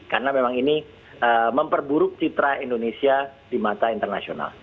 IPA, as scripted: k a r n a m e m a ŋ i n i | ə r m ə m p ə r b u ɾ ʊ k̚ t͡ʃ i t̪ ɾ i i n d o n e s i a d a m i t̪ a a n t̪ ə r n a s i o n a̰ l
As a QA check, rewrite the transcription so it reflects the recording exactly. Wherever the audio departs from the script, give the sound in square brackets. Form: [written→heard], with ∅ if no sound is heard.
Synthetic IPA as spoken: k a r n a m e m a ŋ i n i | ə [r→∅] m ə m p ə r b u ɾ ʊ k̚ t͡ʃ i t̪ ɾ [i→a] i n d o n e s i a d [a→i] m [i→a] t̪ a [a→i] n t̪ ə r n a s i o n a̰ l